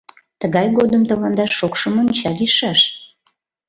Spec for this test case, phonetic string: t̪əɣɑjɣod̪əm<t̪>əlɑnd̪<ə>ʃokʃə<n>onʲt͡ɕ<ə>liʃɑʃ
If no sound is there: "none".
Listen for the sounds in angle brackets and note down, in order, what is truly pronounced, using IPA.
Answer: t̪, ɑ, m, ɑ

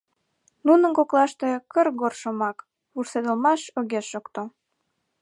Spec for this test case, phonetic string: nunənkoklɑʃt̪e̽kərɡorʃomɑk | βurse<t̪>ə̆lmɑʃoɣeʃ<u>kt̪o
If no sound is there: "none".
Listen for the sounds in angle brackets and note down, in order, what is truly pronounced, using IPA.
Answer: d̪, o

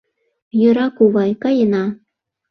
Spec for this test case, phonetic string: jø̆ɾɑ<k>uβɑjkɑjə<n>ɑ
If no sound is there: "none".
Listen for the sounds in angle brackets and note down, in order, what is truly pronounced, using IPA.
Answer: k, n

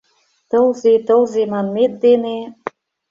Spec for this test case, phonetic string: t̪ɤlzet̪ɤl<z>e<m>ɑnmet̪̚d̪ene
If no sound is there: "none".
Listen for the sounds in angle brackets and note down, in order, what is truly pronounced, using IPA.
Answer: z, m

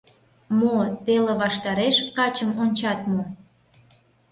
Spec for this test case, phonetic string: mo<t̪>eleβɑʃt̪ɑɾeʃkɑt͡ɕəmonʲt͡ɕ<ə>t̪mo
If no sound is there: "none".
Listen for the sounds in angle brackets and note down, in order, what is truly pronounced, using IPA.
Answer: t̪, ɑ

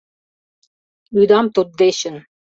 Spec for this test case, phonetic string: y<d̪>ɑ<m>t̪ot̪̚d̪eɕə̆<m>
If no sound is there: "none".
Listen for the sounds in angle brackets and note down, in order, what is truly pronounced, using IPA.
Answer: d̪, m, n

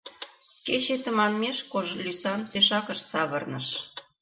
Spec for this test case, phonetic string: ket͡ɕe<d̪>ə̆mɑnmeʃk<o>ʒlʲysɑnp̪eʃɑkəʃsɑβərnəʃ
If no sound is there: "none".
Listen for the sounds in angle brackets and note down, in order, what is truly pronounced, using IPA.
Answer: t̪, o

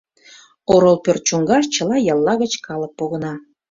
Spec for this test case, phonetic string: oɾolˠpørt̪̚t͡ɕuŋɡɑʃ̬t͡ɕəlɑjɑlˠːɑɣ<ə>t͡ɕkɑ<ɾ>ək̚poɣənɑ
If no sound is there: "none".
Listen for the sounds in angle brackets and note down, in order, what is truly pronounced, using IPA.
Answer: ə, l

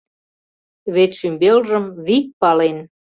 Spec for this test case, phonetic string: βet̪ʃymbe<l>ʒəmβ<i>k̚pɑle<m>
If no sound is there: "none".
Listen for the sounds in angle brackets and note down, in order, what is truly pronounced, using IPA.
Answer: l, i, n

